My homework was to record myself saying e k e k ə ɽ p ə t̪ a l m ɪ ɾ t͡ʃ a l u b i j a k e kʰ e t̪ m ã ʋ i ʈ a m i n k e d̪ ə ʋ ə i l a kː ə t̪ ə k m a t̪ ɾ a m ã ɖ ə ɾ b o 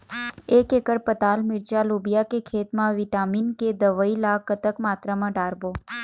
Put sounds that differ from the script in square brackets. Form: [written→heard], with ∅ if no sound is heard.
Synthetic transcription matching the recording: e k e k ə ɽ p ə t̪ a l m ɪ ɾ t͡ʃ a l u b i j a k e kʰ e t̪ m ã ʋ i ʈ a m i n k e d̪ ə ʋ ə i l a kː ə t̪ ə k m a t̪ ɾ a m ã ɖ [ə→a] ɾ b o